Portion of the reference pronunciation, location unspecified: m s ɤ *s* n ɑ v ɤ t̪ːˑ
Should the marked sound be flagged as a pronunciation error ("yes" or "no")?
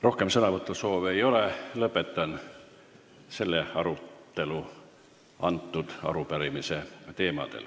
yes